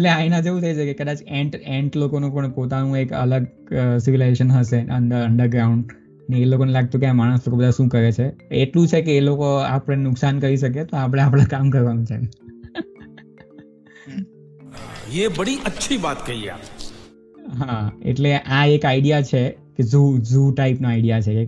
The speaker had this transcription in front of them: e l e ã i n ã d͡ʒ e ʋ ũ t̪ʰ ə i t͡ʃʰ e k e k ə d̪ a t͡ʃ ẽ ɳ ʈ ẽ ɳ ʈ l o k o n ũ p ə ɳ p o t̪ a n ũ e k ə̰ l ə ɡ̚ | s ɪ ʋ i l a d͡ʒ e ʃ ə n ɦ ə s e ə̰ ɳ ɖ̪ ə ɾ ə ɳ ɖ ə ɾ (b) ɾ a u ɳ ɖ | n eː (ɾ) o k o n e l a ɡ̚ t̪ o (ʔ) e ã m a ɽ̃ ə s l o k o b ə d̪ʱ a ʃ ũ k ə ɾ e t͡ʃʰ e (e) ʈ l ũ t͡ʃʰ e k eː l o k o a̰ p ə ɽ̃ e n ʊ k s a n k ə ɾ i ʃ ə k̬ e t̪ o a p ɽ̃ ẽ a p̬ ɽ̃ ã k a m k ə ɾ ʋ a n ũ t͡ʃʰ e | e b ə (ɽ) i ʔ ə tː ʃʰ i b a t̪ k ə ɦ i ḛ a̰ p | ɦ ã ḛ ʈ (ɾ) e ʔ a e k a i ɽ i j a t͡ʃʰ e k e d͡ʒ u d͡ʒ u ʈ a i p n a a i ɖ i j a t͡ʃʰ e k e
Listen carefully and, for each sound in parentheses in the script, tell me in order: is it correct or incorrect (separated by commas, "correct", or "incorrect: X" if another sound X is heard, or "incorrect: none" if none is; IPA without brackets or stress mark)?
incorrect: ɡ, incorrect: l, incorrect: k, correct, correct, incorrect: l